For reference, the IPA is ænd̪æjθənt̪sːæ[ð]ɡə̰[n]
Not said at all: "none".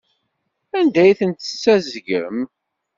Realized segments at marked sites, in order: z, m

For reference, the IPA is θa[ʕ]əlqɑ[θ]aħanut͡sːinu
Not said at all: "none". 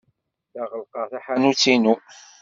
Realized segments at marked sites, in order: ʁ, θ

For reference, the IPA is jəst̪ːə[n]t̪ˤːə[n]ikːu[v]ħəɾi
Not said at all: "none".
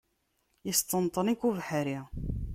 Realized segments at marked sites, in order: n, n, v

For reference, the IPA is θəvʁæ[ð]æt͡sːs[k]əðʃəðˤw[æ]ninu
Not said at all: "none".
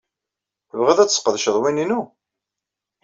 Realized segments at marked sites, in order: ð, q, i

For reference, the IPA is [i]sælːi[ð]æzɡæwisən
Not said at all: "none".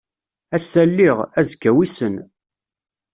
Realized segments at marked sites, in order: æ, ʁ

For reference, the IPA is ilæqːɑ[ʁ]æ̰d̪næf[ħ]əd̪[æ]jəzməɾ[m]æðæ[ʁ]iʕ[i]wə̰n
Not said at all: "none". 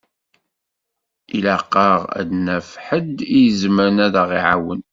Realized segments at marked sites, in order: ʁ, ħ, i, n, ʁ, a

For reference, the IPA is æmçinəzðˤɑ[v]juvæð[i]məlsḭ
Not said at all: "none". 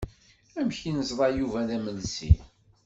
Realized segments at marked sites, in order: none, æ

